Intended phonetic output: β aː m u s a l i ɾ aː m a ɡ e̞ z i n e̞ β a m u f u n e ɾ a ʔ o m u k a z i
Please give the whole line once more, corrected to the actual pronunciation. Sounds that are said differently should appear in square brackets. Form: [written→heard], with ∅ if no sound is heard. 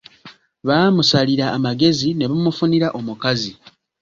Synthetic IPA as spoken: β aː m u s a l i ɾ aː m a ɡ e̞ z i n e̞ β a m u f u n [e→i] ɾ a ʔ o m u k a z i